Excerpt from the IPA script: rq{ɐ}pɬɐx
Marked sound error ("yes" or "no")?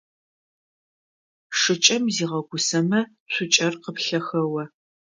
yes